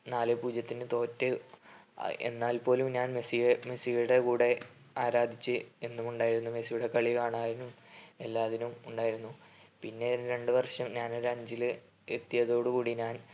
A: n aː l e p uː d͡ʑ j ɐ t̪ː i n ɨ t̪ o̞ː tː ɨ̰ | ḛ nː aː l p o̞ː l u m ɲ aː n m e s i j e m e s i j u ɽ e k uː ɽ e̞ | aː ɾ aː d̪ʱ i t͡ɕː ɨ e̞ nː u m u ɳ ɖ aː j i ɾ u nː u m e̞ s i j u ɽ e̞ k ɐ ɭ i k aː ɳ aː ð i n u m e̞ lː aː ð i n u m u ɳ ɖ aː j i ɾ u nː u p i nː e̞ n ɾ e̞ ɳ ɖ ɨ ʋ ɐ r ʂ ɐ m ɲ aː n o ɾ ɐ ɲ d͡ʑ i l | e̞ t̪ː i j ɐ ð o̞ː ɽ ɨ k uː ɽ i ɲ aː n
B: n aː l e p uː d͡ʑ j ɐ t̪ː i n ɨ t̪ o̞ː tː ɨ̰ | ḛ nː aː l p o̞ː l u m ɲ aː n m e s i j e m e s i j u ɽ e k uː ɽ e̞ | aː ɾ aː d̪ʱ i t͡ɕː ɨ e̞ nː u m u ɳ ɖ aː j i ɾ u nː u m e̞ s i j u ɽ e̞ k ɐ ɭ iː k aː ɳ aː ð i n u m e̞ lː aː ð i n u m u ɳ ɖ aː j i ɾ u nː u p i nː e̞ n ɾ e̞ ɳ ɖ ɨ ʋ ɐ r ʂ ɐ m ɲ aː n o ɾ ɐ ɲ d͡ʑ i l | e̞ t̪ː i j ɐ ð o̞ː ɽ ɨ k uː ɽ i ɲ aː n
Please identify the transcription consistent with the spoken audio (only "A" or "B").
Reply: A